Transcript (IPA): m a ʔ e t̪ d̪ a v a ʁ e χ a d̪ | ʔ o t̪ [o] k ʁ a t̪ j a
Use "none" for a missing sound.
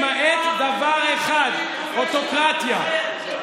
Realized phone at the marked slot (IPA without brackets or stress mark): o